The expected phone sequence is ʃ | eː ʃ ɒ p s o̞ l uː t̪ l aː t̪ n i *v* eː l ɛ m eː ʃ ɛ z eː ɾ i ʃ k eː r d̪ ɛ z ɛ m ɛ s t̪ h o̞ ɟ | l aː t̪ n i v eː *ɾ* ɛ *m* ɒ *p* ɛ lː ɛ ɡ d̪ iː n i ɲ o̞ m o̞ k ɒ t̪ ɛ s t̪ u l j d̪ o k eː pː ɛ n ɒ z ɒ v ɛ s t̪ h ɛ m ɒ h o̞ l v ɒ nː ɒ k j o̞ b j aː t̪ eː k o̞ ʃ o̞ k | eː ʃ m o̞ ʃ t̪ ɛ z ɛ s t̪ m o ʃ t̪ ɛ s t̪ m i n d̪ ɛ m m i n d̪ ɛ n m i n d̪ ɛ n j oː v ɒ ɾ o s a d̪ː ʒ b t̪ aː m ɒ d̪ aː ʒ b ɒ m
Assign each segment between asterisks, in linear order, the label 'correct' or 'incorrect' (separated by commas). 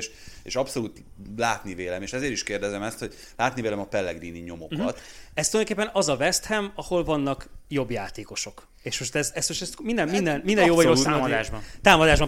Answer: correct, incorrect, correct, correct